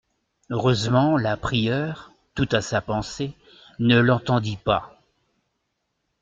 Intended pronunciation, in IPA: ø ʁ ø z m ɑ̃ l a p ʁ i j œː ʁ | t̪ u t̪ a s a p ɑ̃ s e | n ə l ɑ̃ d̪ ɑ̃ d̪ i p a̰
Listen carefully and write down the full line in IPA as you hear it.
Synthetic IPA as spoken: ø ʁ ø z m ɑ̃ l a p χ i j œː ʁ | t̪ u t̪ a s a p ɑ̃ s e | n ə l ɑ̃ t̪ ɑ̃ d̪ i p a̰